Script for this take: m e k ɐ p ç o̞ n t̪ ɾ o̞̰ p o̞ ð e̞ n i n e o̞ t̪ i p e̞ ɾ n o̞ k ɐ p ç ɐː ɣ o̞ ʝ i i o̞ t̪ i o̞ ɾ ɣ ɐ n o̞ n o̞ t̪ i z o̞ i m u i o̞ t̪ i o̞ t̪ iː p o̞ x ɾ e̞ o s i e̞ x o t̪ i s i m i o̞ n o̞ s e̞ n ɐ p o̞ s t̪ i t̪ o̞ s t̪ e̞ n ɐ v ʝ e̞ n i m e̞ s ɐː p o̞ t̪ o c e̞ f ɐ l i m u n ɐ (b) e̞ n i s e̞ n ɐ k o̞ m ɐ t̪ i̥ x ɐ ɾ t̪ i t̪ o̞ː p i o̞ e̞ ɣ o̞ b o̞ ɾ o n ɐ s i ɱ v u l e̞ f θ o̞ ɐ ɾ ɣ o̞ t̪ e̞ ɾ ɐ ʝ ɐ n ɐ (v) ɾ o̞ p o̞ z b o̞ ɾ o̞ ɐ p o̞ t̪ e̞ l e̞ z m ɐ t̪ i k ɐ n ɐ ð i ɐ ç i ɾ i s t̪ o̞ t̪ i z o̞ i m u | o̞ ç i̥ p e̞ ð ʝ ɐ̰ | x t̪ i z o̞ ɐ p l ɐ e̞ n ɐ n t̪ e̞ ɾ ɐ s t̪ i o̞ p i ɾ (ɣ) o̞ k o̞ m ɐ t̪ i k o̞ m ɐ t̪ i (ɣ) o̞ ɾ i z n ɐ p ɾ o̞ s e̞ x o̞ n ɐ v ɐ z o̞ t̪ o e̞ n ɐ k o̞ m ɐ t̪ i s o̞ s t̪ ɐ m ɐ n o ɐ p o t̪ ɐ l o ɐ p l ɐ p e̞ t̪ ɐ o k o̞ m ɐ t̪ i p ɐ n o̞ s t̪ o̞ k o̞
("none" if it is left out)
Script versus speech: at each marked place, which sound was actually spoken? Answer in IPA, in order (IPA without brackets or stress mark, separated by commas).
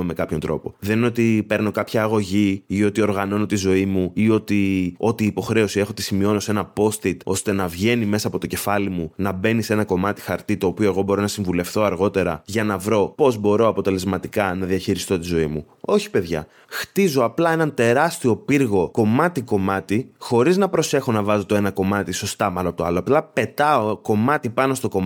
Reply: b, v, ɣ, x